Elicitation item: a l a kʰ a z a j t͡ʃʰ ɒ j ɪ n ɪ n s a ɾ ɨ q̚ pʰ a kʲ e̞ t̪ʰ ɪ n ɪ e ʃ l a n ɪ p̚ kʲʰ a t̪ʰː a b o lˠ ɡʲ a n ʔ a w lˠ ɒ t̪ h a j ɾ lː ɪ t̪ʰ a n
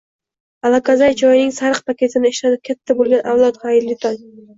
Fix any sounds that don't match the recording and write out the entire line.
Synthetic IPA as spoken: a l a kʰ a z a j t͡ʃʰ ɒ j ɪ n ɪ ŋ s a ɾ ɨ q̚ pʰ a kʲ e̞ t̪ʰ ɪ n ɪ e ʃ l a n ɪ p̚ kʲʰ a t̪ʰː a b o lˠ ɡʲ a n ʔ a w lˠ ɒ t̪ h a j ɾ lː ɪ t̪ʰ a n